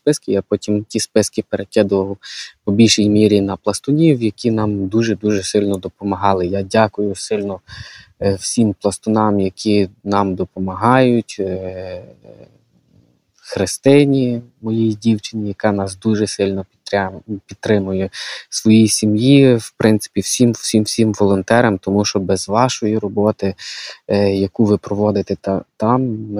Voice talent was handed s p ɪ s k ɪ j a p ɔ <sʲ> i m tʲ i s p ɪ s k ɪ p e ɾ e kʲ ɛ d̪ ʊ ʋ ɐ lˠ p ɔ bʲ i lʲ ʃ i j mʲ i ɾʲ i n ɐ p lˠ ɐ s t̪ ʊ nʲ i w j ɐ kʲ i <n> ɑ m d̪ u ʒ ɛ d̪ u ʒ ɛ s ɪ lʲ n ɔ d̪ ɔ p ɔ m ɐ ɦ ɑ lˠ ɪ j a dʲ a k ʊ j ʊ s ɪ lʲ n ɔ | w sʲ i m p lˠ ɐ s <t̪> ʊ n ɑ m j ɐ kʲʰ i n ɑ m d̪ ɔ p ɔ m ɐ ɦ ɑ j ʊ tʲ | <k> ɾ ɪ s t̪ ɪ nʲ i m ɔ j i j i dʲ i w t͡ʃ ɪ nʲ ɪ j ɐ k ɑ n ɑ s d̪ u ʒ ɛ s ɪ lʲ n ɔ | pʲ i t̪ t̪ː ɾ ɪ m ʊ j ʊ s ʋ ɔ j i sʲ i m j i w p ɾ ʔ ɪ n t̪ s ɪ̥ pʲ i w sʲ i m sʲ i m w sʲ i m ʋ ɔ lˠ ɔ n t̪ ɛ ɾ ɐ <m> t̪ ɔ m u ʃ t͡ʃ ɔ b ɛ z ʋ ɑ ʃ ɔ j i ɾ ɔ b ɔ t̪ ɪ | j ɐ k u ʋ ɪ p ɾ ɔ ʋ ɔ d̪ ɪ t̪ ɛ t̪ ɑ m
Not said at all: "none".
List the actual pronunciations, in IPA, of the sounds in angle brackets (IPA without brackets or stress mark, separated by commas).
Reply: tʲ, n, t̪, x, m